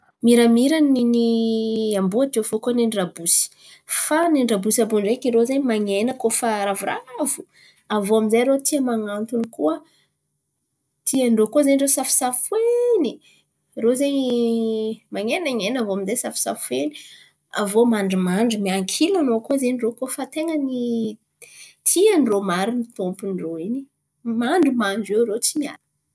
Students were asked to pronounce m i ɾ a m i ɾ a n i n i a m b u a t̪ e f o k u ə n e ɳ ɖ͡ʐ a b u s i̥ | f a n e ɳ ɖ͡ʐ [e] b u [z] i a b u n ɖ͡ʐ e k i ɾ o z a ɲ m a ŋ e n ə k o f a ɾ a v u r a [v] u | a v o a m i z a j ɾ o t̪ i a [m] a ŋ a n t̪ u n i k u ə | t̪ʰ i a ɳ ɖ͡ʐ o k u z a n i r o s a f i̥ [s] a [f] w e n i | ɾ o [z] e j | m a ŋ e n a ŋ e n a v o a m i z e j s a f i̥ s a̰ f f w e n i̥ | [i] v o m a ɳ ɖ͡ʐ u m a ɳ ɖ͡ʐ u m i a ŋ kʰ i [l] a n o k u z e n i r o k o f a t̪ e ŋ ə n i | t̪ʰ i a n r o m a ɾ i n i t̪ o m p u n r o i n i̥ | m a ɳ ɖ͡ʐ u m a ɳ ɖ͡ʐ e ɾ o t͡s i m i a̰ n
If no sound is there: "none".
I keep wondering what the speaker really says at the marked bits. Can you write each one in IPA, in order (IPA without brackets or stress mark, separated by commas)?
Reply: a, s, v, m, s, f, z, a, l